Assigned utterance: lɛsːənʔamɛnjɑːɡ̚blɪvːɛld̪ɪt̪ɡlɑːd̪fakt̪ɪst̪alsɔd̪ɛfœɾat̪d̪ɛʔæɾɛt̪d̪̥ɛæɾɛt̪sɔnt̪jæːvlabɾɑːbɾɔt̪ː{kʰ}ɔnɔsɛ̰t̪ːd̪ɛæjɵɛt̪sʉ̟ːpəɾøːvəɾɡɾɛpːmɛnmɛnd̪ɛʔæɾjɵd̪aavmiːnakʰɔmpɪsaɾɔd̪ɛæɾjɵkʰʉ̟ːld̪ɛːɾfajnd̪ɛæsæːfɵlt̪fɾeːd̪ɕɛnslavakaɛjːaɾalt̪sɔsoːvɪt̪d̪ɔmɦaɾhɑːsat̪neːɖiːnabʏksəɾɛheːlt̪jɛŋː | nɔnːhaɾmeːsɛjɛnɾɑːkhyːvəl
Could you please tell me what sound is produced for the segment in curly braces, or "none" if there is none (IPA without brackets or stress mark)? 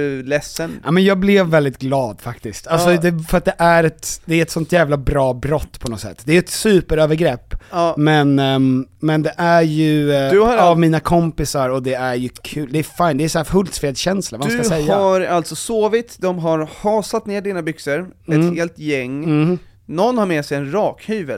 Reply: pʰ